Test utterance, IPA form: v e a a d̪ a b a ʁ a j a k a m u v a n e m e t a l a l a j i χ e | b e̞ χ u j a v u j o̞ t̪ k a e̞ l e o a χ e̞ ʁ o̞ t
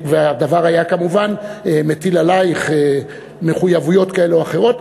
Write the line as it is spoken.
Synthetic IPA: v e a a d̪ a v a ʁ a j a k a m u v a n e m e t i l a l a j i χ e | m e̞ χ u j a v u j o̞ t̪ k a e̞ l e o a χ e̞ ʁ o̞ t